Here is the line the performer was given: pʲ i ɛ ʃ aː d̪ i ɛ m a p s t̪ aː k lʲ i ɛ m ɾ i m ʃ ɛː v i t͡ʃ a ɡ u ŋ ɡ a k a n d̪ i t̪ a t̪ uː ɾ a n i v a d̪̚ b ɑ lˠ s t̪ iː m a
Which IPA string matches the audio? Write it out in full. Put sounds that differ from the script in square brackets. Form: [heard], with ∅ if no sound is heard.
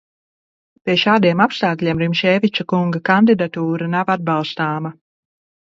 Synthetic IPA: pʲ i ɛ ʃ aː d̪ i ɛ m a p s t̪ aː k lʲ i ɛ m ɾ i m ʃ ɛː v i t͡ʃ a [k] u ŋ ɡ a k a n d̪ i [d̪] a t̪ uː ɾ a n [a] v a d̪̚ b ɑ lˠ s t̪ [aː] m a